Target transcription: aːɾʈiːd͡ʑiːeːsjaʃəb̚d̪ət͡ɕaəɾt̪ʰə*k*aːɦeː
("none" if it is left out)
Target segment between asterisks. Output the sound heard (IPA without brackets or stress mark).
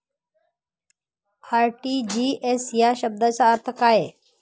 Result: k